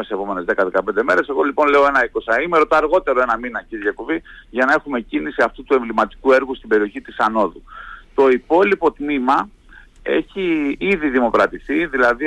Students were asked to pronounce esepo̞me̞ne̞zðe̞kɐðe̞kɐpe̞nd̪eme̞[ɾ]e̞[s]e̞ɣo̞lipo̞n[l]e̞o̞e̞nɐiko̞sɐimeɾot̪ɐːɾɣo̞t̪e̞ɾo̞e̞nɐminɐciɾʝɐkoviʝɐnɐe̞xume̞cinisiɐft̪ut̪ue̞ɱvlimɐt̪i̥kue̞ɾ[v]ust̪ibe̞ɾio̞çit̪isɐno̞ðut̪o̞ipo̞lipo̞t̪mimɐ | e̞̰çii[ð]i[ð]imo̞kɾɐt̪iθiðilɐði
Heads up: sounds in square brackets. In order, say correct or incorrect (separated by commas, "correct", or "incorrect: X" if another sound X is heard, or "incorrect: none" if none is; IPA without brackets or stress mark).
correct, correct, correct, incorrect: ɣ, correct, correct